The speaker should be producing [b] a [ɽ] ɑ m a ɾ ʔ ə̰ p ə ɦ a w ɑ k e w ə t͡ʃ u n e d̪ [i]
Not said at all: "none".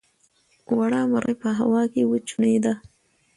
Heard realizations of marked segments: w, ɽ, a

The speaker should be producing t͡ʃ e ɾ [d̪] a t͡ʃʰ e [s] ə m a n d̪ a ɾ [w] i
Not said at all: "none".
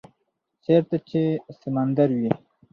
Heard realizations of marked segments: t̪, s, w

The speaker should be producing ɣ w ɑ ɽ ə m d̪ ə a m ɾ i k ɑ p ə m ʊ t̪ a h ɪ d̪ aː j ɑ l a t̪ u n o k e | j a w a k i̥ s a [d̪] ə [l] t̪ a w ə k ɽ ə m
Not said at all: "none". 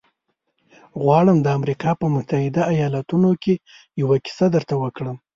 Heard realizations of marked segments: d̪, ɾ

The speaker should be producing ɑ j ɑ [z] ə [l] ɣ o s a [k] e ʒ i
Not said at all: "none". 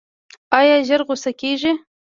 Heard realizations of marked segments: ʒ, ɾ, k

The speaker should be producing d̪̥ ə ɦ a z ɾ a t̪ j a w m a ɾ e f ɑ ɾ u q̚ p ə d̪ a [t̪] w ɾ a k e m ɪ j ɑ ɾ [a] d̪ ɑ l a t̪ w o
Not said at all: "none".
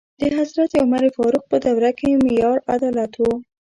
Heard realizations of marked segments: none, a

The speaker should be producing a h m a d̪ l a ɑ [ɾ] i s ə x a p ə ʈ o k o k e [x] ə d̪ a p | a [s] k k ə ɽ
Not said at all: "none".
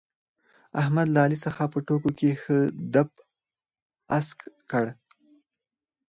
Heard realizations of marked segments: l, x, s

